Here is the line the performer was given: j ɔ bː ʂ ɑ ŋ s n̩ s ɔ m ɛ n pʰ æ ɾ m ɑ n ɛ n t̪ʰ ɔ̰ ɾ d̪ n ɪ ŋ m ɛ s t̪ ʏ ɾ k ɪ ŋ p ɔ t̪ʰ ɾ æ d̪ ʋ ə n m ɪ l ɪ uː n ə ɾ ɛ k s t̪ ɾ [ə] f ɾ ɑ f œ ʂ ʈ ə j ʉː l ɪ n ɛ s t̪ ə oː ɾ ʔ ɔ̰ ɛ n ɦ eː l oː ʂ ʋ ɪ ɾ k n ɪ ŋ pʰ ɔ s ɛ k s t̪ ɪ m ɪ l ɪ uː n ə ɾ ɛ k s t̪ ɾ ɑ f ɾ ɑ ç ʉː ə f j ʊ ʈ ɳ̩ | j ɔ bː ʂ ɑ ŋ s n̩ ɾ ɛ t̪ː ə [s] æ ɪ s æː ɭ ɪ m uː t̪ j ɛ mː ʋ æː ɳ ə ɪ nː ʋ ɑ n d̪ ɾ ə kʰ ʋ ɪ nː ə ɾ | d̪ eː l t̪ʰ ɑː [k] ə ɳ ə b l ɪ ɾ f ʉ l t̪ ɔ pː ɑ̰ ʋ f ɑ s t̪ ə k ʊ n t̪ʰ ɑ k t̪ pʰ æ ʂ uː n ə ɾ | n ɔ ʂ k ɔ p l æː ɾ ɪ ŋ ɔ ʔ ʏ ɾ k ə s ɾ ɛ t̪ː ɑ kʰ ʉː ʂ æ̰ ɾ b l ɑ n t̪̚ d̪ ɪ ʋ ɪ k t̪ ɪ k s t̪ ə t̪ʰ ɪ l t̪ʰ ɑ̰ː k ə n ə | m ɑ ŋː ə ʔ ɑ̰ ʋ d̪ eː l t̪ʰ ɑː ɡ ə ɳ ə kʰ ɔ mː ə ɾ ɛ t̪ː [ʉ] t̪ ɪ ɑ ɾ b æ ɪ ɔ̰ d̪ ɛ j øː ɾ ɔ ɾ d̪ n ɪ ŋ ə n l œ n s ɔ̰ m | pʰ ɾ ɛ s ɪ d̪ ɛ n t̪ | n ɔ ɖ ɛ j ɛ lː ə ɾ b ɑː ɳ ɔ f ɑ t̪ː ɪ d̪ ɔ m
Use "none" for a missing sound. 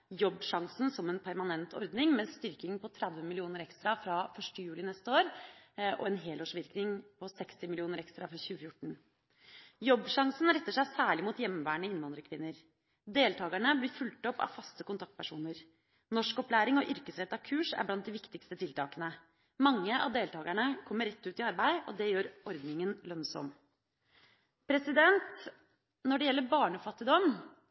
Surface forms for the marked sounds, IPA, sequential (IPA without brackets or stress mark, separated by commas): ɑ, ʂ, ɡ, ʉː